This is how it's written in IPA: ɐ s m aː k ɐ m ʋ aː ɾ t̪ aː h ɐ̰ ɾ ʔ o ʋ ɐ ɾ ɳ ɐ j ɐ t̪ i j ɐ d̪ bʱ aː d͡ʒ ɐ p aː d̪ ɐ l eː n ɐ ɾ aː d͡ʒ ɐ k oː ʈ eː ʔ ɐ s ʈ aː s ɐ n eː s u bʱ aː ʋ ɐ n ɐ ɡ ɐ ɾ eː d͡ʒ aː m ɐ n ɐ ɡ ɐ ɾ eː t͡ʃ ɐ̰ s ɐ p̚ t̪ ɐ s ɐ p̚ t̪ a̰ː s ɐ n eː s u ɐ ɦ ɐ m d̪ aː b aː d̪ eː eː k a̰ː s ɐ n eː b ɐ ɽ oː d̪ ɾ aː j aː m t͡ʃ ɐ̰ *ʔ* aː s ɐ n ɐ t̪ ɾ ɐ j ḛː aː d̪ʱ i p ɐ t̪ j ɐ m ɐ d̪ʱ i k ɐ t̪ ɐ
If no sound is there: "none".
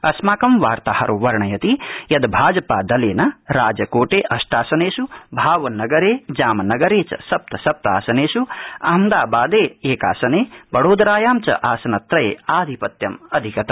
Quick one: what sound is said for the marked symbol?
ʔ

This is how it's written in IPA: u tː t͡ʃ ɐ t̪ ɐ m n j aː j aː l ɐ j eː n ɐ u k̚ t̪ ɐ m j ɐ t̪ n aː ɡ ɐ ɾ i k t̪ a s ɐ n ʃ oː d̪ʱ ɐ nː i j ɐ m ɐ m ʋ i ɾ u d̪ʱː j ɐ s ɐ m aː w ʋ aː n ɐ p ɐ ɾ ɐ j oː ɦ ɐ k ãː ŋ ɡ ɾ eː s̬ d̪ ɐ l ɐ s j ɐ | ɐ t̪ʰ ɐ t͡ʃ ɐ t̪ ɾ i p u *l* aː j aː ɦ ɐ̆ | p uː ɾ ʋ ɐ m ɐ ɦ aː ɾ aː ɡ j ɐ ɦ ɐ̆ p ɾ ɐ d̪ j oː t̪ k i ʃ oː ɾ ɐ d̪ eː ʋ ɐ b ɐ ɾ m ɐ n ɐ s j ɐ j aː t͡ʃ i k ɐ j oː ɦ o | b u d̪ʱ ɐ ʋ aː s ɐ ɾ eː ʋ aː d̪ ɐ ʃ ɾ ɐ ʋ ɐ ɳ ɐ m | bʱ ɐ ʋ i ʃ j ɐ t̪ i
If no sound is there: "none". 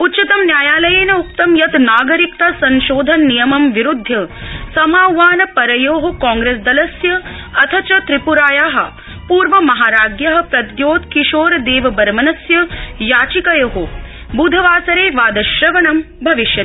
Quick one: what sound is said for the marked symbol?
ɾ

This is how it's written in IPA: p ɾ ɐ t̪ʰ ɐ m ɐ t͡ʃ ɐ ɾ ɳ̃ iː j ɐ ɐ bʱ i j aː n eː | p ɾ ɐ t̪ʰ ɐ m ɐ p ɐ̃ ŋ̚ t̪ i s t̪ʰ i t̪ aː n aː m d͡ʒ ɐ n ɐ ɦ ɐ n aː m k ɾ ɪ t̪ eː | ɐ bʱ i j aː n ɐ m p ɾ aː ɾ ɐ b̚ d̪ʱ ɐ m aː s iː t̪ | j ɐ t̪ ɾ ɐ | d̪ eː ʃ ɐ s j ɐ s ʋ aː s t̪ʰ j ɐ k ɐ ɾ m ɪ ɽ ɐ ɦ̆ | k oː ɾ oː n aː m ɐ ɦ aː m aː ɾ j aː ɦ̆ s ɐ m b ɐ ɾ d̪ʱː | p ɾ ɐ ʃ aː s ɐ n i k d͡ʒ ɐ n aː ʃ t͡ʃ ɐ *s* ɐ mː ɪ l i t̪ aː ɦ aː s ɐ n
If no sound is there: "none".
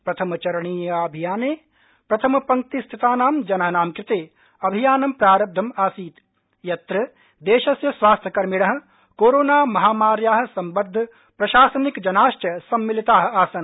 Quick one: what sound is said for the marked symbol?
s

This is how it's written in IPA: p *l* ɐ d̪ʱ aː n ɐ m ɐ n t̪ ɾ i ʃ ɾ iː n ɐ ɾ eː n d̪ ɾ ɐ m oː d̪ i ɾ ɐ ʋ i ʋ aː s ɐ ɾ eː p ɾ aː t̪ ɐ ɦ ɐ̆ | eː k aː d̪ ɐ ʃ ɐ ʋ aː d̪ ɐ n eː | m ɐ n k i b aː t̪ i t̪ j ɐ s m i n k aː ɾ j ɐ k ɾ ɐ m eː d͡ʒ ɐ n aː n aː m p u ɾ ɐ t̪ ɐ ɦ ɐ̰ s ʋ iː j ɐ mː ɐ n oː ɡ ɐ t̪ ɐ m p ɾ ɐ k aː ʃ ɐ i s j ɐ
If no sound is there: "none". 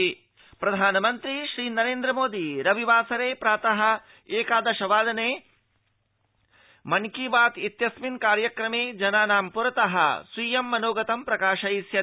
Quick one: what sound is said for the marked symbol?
ɾ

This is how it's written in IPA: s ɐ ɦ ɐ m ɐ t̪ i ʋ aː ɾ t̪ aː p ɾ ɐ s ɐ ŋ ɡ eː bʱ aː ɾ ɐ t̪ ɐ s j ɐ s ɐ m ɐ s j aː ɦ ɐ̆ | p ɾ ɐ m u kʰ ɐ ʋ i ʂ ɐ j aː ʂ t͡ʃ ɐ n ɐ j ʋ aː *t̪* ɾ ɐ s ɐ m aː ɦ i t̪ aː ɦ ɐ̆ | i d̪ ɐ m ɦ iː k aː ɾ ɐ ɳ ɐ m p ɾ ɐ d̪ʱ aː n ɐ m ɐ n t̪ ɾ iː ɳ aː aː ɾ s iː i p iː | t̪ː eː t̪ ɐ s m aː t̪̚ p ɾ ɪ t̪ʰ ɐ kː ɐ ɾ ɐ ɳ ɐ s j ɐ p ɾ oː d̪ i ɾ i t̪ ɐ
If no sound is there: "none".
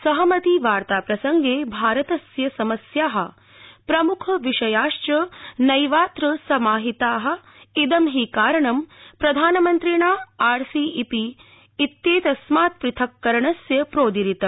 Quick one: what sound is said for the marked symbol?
t̪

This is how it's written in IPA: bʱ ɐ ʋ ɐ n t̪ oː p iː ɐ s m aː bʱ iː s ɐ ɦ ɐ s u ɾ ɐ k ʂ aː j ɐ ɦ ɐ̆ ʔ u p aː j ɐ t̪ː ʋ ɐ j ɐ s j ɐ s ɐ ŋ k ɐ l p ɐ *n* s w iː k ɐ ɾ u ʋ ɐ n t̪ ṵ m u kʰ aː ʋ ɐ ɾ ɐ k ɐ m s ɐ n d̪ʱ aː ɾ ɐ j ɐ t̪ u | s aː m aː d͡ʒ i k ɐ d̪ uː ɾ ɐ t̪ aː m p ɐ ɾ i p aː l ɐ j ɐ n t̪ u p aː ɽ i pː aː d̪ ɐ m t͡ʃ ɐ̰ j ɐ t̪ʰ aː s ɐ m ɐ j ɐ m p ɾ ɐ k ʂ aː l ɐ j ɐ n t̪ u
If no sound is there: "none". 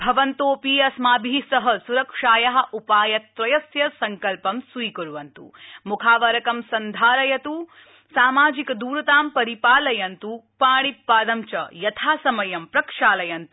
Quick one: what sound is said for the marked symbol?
m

